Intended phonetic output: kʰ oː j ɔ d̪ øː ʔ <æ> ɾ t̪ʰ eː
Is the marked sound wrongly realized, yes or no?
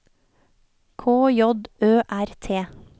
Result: no